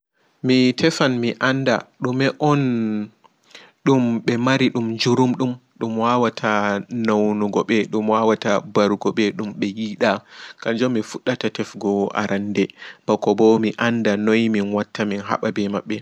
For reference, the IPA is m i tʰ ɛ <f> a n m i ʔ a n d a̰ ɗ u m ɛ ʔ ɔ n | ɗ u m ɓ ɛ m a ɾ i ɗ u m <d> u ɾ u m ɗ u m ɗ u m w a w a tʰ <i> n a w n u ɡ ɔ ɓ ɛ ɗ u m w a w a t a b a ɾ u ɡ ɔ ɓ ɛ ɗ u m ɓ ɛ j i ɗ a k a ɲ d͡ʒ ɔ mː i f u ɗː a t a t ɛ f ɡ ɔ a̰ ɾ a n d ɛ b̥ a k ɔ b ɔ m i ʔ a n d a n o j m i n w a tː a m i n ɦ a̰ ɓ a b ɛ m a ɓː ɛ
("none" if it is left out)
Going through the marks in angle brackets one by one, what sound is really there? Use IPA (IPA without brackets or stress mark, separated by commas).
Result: f, d͡ʒ, a